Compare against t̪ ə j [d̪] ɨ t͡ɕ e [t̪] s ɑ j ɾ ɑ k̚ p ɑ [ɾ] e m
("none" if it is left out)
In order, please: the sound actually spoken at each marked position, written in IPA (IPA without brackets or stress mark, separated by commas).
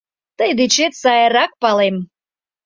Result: d̪, t̪, l